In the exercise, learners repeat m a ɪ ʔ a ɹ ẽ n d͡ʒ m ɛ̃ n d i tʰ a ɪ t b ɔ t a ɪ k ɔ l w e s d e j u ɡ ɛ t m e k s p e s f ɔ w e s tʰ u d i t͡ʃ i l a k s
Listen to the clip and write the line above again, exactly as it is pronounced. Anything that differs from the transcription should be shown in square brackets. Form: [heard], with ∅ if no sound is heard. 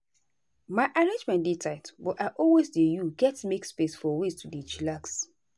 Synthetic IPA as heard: m a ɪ ʔ a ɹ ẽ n d͡ʒ m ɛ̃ n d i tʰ a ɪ t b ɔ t a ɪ [ʔ] ɔ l w e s d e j u ɡ ɛ t m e k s p e s f ɔ w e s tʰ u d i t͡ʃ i l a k s